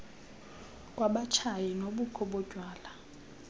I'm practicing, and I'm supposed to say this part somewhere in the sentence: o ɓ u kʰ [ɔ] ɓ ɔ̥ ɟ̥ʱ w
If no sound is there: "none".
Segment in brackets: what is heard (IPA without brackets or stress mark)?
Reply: ɔ